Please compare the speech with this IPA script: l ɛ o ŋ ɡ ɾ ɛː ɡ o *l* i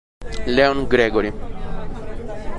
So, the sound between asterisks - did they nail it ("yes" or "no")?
no